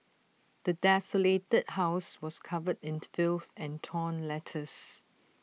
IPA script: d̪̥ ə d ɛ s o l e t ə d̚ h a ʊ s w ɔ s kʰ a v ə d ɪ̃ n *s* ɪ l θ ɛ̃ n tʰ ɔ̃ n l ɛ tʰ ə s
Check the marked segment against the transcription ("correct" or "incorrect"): incorrect